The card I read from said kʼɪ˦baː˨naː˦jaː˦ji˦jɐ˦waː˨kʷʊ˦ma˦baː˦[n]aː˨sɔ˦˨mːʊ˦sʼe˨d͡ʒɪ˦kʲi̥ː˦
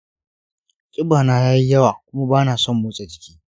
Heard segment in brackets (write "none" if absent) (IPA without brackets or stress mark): n